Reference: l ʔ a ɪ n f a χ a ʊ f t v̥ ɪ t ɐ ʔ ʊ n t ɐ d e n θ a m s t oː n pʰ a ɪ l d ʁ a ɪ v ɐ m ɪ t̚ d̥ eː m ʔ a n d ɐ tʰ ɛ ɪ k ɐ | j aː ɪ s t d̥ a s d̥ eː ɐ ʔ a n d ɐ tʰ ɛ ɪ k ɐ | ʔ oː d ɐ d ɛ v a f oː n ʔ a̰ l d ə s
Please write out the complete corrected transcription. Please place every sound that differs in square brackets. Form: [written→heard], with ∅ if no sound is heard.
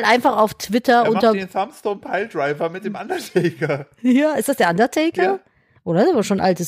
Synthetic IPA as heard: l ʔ a ɪ n f a χ a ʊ f t v̥ ɪ t ɐ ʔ ʊ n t ɐ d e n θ a m s t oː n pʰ a ɪ l d ʁ a ɪ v ɐ m ɪ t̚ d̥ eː m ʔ a n d ɐ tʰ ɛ ɪ k ɐ | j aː ɪ s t d̥ a s d̥ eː ɐ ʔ a n d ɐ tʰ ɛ ɪ k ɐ | ʔ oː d ɐ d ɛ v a [f→ʃ] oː n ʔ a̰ l [d→t] ə s